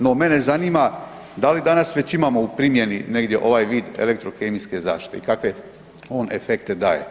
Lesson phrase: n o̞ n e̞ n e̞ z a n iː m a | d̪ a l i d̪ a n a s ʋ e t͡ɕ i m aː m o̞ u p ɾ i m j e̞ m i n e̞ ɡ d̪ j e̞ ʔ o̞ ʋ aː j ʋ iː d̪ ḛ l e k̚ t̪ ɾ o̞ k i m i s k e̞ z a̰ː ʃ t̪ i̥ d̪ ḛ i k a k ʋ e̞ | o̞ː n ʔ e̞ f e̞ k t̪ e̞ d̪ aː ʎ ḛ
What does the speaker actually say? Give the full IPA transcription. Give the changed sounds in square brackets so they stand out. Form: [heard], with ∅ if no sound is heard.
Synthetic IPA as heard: n o̞ [m] e̞ n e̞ z a n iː m a | d̪ a l i d̪ a n a s ʋ e t͡ɕ i m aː m o̞ u p ɾ i m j e̞ [n] i n e̞ ɡ d̪ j e̞ ʔ o̞ ʋ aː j ʋ iː d̪ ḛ l e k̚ t̪ ɾ o̞ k [e] m i s k e̞ z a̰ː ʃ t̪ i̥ [t̪] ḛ i k a k ʋ e̞ | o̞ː n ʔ e̞ f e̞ k t̪ e̞ d̪ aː [j] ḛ